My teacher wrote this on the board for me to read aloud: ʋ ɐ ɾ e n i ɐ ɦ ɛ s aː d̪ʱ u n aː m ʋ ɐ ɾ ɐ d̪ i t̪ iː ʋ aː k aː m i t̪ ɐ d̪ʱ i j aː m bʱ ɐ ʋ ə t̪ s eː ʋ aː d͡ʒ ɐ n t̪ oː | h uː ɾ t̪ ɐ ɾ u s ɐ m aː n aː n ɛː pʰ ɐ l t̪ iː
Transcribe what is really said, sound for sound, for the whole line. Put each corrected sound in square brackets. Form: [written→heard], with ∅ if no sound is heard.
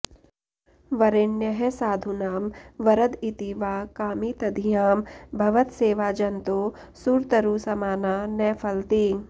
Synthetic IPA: ʋ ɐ ɾ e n [i→j] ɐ ɦ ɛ s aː d̪ʱ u n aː m ʋ ɐ ɾ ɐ d̪ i t̪ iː ʋ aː k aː m i t̪ ɐ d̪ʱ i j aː m bʱ ɐ ʋ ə t̪ s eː ʋ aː d͡ʒ ɐ n t̪ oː | [h→s] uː ɾ t̪ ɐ ɾ u s ɐ m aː n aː n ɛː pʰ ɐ l t̪ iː